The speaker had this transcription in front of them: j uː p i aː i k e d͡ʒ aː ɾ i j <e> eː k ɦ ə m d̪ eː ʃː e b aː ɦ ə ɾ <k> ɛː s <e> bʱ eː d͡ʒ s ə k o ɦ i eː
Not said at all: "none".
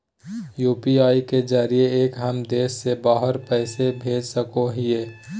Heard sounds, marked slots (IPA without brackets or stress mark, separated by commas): e, p, e